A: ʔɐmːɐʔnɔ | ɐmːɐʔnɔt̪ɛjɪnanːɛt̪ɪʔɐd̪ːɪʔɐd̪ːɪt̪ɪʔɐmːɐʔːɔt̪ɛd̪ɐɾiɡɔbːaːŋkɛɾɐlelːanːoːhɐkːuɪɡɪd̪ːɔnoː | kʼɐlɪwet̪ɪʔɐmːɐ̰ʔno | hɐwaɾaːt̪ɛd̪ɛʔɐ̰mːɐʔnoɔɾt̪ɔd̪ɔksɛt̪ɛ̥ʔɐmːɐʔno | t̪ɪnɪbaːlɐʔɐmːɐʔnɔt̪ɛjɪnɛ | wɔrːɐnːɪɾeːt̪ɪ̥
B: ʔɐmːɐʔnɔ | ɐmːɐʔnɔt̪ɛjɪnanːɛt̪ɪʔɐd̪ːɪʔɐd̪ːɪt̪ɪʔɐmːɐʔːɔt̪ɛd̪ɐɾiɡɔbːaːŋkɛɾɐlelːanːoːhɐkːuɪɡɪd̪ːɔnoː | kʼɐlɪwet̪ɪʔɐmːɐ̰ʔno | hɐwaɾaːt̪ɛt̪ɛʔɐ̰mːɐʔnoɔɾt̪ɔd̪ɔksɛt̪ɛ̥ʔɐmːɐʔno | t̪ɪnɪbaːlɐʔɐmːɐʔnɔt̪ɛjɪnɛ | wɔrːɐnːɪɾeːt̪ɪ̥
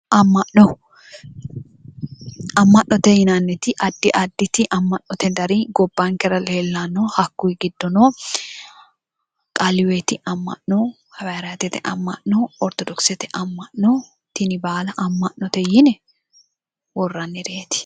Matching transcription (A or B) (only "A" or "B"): B